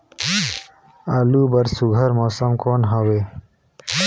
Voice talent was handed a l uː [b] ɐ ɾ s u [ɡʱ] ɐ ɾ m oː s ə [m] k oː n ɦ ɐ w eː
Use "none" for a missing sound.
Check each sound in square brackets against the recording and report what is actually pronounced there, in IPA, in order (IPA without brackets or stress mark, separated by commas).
b, ɡʱ, m